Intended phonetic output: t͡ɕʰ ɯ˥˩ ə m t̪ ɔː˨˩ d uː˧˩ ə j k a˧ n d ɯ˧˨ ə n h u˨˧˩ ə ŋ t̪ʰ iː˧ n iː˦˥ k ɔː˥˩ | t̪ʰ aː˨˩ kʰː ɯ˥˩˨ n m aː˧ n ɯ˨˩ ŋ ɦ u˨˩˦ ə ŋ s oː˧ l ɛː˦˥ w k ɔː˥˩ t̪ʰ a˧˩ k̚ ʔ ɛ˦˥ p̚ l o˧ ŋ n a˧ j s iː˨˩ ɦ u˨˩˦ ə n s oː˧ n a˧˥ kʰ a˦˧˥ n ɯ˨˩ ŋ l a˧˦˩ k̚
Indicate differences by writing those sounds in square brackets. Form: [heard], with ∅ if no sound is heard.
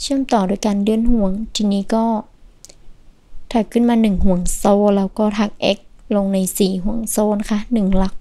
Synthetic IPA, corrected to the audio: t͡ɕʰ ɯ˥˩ ə m t̪ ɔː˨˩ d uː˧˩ ə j k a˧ n d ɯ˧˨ ə n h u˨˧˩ ə ŋ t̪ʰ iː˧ n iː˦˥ k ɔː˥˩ | t̪ʰ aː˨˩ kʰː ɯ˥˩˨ n m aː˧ n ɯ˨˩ ŋ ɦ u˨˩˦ ə ŋ s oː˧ l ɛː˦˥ w k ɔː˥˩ t̪ʰ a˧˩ k̚ ʔ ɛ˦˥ [k̚] l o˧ ŋ n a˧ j s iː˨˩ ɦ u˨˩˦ ə [ŋ] s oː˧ n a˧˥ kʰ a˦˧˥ n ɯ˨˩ ŋ l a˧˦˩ k̚